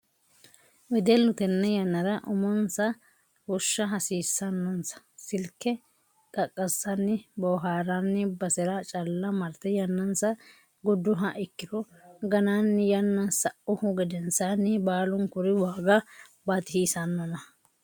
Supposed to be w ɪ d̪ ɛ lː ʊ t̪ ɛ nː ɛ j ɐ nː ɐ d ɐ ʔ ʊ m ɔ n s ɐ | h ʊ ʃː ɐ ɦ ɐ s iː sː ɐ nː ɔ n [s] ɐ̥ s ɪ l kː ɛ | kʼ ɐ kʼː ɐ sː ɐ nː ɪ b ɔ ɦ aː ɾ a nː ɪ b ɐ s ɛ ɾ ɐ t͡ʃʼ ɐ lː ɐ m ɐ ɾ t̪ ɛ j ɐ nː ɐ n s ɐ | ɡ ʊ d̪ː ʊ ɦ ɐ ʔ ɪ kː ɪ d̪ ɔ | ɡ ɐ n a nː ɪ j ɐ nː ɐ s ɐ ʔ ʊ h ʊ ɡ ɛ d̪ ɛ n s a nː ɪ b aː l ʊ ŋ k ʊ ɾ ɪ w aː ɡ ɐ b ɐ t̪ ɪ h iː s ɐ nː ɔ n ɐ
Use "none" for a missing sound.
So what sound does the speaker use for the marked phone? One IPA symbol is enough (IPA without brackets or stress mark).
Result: s